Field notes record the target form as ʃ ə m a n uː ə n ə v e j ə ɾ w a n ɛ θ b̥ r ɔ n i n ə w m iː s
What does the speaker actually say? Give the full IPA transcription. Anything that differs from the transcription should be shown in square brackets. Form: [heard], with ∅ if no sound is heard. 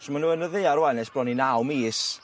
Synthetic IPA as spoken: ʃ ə m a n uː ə n ə [ð] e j [a] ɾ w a n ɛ [s] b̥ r ɔ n i n [a] w m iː s